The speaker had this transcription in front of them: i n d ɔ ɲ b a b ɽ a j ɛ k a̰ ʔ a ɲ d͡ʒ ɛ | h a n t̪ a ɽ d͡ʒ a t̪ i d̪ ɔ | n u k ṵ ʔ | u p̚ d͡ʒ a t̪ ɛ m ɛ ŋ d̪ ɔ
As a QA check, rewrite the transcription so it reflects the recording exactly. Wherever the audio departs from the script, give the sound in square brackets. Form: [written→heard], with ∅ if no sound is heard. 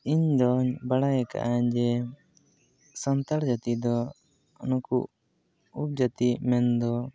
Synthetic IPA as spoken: i [n→ɲ] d ɔ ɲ b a [b→∅] ɽ a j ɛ k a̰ ʔ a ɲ d͡ʒ ɛ | [h→s] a n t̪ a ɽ d͡ʒ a t̪ i d̪ ɔ | n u k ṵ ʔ | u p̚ d͡ʒ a t̪ [ɛ→i] m ɛ [ŋ→n] d̪ ɔ